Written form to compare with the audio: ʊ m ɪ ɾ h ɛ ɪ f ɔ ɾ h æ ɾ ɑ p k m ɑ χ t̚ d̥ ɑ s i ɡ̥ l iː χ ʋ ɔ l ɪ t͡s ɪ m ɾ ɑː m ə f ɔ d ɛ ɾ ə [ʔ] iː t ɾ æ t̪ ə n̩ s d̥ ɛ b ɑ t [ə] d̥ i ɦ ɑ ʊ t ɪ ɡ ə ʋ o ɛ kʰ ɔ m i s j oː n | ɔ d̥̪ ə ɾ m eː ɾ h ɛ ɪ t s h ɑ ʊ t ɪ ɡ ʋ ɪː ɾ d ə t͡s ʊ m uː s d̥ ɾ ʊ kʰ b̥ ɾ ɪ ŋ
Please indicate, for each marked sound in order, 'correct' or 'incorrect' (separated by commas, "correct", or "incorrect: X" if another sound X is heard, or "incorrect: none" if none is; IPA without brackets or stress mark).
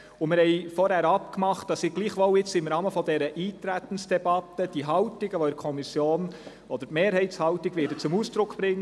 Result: correct, correct